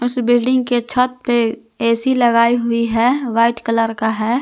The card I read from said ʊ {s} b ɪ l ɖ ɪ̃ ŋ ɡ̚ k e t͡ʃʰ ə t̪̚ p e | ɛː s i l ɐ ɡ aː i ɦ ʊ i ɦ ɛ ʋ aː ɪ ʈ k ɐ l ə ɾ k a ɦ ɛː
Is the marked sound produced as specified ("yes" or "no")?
yes